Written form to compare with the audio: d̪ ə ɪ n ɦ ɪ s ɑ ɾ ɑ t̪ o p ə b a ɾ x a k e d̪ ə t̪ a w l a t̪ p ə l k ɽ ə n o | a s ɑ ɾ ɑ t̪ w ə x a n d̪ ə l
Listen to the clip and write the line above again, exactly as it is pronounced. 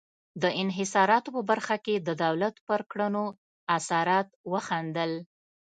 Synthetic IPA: d̪ ə ɪ n ɦ ɪ s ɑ ɾ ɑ t̪ o p ə b a ɾ x a k e d̪ ə d̪ a w l a t̪ p ə ɾ k ɽ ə n o | a s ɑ ɾ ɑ t̪ w ə x a n d̪ ə l